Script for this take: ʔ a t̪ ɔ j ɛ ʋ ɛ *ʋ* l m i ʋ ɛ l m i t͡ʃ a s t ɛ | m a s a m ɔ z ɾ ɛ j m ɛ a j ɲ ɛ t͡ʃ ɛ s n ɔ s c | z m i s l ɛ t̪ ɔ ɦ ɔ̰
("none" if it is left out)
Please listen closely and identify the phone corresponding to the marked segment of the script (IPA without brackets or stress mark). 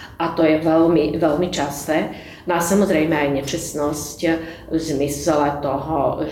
none